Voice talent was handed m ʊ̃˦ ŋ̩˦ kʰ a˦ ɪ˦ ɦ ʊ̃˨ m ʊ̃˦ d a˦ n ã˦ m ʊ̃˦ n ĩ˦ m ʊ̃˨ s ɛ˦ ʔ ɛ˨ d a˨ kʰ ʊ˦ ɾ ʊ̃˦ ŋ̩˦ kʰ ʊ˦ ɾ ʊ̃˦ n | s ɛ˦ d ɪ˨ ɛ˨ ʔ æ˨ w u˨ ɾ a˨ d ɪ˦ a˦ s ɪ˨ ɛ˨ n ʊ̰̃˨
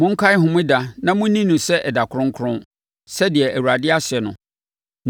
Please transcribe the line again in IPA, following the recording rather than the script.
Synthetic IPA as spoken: m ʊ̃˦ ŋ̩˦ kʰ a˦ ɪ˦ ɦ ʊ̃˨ m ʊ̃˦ d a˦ n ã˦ m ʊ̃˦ n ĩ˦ n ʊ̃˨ s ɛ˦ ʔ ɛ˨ d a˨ kʰ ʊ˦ ɾ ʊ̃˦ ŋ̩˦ kʰ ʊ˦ ɾ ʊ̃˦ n | s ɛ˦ d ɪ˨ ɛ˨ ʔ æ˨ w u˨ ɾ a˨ d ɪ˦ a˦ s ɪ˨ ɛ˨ n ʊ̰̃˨

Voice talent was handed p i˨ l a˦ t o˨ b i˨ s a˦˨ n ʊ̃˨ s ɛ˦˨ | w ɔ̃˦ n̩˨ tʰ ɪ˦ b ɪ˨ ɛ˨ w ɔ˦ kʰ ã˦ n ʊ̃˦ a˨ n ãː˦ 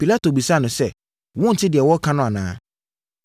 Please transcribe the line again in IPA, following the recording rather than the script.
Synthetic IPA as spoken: p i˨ l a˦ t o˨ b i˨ s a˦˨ n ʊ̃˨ s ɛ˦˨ | w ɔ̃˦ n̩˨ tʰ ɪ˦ d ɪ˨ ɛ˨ w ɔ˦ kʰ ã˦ n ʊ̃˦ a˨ n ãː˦

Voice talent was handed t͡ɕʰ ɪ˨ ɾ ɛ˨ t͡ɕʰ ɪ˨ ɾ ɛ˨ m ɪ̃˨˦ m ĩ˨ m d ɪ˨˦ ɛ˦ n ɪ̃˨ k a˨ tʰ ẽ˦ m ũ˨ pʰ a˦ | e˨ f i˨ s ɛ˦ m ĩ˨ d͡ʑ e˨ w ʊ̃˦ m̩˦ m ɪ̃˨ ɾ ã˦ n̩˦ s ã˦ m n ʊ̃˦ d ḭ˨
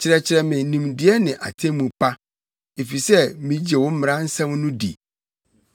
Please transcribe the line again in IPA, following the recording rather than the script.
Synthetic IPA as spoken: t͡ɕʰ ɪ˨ ɾ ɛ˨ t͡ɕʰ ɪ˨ ɾ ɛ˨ m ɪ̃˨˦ n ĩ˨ m d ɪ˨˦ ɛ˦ n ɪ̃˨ ʔ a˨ tʰ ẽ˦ m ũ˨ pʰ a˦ | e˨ f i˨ s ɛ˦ m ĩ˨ d͡ʑ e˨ w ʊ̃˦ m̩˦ m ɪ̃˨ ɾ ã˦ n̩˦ s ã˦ m n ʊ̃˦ d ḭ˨

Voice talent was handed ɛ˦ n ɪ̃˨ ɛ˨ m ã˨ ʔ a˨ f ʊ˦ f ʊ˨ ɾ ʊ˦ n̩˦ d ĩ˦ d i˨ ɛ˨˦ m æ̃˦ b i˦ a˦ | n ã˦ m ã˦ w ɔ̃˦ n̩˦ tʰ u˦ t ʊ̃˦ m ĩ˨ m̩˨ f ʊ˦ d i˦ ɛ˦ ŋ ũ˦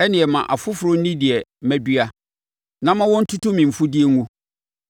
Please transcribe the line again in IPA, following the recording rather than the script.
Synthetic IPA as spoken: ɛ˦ n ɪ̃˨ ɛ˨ m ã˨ ʔ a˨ f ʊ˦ f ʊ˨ ɾ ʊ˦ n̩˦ n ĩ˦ d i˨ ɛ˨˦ m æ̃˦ b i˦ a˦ | n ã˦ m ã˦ w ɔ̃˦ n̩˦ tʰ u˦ t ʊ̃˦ m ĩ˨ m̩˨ f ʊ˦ d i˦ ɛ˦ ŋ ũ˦

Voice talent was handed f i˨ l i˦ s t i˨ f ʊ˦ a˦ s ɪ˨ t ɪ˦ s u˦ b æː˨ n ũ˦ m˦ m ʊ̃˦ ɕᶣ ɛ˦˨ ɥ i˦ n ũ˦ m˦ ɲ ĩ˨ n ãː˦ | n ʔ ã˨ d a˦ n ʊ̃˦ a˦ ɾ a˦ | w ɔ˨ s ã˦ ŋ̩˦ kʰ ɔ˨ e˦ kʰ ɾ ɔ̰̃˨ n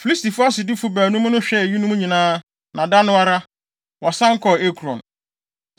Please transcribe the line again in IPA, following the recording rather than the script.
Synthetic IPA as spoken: f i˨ l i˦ s t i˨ f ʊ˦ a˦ s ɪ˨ d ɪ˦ f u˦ b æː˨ n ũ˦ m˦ n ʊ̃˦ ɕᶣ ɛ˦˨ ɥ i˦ n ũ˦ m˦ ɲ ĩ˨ n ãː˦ | n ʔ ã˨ d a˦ n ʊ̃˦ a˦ ɾ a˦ | w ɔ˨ s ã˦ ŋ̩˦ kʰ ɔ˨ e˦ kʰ ɾ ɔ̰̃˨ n

